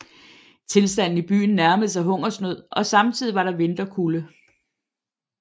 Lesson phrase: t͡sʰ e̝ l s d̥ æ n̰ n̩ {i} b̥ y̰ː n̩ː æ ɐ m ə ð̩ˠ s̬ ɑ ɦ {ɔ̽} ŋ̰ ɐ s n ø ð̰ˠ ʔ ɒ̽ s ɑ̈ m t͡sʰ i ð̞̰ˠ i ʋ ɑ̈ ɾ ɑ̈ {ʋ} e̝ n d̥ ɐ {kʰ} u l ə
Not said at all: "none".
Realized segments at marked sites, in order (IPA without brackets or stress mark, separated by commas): i, ɔ̽, ʋ, kʰ